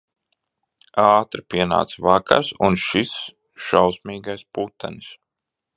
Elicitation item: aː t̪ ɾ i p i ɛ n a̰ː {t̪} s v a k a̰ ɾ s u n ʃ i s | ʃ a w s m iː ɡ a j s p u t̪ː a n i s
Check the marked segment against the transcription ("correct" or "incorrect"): correct